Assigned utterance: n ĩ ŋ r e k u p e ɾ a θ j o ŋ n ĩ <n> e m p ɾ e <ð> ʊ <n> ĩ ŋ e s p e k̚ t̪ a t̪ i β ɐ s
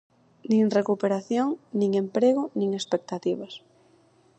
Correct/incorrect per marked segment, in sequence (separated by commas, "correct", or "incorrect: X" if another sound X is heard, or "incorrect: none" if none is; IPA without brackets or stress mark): incorrect: ŋ, incorrect: ɣ, correct